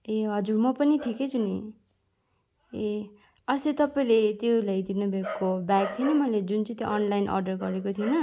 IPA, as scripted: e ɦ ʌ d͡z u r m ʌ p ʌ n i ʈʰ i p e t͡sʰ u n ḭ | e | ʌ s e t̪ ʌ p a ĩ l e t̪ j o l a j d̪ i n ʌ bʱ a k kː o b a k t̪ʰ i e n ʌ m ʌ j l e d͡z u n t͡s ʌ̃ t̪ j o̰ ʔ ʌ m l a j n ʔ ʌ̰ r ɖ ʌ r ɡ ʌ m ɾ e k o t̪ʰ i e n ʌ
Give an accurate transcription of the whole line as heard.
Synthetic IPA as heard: e ɦ ʌ d͡z u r m ʌ p ʌ n i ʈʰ i k e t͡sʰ u n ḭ | e | ʌ s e t̪ ʌ p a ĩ l e t̪ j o l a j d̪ i n ʌ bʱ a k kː o b a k t̪ʰ i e n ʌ m ʌ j l e d͡z u n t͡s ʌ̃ t̪ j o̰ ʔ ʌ n l a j n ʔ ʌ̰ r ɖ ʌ r ɡ ʌ ɾ e k o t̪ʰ i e n ʌ

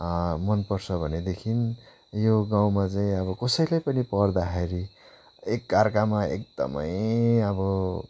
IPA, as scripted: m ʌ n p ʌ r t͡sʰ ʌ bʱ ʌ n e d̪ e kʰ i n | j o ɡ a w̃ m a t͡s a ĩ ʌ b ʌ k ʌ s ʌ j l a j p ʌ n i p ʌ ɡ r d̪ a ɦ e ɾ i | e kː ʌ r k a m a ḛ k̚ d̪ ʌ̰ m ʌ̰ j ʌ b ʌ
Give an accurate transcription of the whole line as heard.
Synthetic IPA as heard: m ʌ n p ʌ r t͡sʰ ʌ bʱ ʌ n e d̪ e kʰ i n | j o ɡ a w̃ m a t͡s a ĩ ʌ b ʌ k ʌ s ʌ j l a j p ʌ n i p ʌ r d̪ a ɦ e ɾ i | e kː a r k a m a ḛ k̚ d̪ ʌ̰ m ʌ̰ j ʌ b ʌ

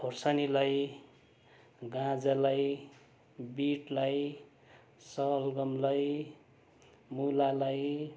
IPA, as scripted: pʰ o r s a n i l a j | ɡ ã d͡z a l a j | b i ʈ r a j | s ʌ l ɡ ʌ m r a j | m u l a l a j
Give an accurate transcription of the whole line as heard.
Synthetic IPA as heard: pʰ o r s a n i l a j | ɡ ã d͡z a l a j | b i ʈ l a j | s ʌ l ɡ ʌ m l a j | m u l a l a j

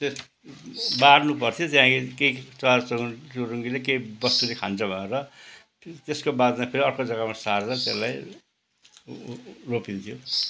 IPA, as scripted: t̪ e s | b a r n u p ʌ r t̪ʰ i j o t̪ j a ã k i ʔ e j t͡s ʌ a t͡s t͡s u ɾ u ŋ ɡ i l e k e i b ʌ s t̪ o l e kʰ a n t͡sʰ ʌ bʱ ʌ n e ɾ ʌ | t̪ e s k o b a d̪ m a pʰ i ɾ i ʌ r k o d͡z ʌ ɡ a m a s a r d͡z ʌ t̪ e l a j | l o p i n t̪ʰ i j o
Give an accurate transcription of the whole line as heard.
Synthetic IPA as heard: t̪ e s | b a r n u p ʌ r t̪ʰ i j o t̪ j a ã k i k e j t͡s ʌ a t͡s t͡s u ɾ u ŋ ɡ i l e k e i b ʌ s t̪ u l e kʰ a n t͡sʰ ʌ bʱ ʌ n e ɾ ʌ | t̪ e s k o b a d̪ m a pʰ e ɾ i ʌ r k o d͡z ʌ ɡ a m a s a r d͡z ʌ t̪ e l a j | r o p i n t̪ʰ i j o

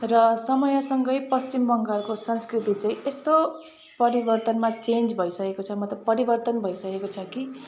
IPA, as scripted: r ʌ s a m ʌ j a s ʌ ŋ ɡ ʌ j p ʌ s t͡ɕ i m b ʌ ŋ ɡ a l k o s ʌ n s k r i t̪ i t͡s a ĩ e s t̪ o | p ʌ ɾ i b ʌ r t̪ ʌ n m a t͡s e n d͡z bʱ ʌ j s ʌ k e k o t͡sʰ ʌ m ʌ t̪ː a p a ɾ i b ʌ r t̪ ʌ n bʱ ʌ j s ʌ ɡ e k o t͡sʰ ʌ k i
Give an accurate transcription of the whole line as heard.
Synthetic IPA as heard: r ʌ s ʌ m ʌ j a s ʌ ŋ ɡ ʌ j p ʌ s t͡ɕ i m b ʌ ŋ ɡ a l k o s ʌ n s k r i t̪ i t͡s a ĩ e s t̪ o | p ʌ ɾ i b ʌ r t̪ ʌ n m a t͡s e n d͡z bʱ ʌ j s ʌ k e k o t͡sʰ ʌ m ʌ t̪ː ʌ p ʌ ɾ i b ʌ r t̪ ʌ n bʱ ʌ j s ʌ k e k o t͡sʰ ʌ k i

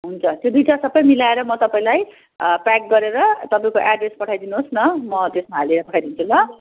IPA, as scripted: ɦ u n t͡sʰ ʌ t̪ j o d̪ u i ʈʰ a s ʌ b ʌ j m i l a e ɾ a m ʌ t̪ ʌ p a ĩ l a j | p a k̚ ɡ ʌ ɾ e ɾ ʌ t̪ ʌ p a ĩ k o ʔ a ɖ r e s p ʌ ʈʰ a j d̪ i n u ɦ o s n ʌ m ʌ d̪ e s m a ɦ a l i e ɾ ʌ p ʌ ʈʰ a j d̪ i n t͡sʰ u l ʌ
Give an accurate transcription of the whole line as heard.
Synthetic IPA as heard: ɦ u n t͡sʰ ʌ t̪ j o d̪ u j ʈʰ a s ʌ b ʌ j m i l a e ɾ ʌ m ʌ t̪ ʌ p a ĩ l a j | p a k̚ ɡ ʌ ɾ e ɾ ʌ t̪ ʌ p a ĩ k o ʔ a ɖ r e s p ʌ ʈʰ a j d̪ i n u ɦ o s n ʌ m ʌ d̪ e s m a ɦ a l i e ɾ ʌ p ʌ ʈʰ a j d̪ i n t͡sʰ u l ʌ

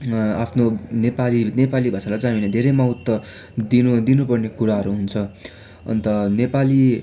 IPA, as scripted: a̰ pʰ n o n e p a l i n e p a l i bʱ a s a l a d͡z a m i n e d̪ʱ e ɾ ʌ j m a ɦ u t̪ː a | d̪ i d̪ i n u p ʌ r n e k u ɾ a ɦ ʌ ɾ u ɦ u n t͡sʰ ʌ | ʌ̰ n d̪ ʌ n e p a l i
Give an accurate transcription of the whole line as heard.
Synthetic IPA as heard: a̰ pʰ n o n e p a l i n e p a l i bʱ a s a l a d͡z a m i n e d̪ʱ e ɾ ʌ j m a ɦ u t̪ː ʌ | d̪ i d̪ i n u p ʌ r n e k u ɾ a ɦ ʌ ɾ u ɦ u n t͡sʰ ʌ | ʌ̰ n t̪ ʌ n e p a l i

